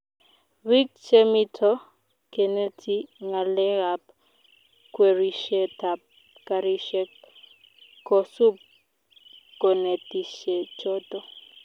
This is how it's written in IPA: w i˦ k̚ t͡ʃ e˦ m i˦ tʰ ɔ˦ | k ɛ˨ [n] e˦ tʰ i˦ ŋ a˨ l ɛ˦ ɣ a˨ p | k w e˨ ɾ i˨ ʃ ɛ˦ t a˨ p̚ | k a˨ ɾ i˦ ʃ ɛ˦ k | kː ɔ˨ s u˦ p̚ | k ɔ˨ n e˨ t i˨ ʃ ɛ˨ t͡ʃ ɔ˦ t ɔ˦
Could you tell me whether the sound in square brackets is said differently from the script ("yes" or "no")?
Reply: no